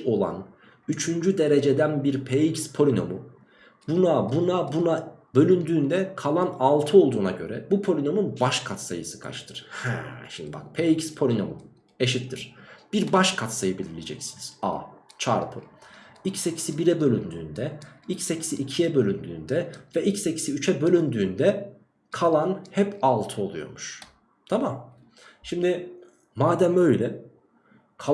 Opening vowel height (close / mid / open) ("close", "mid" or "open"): mid